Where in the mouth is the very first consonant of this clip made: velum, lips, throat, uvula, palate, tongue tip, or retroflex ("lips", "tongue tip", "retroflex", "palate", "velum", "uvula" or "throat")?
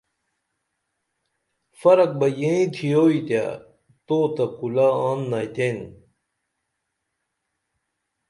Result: lips